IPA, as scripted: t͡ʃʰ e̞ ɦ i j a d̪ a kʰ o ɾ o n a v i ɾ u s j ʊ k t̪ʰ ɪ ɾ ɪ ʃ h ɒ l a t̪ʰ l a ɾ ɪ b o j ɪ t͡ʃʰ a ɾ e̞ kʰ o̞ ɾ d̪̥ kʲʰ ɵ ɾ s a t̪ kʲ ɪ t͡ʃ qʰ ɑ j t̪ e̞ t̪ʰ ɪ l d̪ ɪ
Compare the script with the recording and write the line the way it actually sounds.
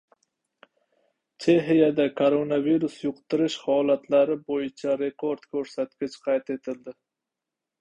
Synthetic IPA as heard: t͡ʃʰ e̞ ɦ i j a d̪ a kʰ o ɾ o n a v i ɾ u s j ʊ q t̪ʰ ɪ ɾ ɪ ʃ h ɒ l a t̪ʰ l a ɾ ɪ b o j ɪ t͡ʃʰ a ɾ e̞ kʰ o̞ ɾ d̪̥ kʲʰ ɵ ɾ s a t̪ kʲ ɪ t͡ʃ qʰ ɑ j t̪ e̞ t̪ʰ ɪ l d̪ ɪ